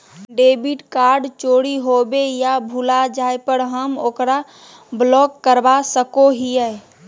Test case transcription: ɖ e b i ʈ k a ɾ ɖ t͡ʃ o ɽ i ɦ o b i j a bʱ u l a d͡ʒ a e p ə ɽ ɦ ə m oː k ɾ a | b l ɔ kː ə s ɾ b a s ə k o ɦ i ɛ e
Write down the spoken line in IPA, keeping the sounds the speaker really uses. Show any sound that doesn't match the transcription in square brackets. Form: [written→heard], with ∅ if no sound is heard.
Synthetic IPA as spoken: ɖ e b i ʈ k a ɾ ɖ t͡ʃ o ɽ i ɦ o b [i→e] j a bʱ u l a d͡ʒ a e p ə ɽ ɦ ə m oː k ɾ a | b l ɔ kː ə [s→∅] ɾ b a s ə k o ɦ i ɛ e